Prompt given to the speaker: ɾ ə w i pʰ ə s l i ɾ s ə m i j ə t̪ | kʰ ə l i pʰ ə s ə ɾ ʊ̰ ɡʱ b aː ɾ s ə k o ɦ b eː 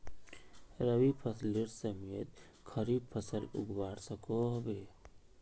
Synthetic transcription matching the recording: ɾ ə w i pʰ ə s l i ɾ s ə m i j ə t̪ | kʰ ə ɾ i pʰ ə s ə l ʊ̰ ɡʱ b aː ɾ s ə k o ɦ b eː